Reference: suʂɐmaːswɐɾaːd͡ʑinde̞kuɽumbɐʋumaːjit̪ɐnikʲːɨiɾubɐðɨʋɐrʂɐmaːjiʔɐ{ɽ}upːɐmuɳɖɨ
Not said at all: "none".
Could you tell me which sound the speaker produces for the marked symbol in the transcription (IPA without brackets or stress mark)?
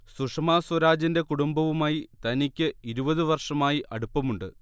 ɽ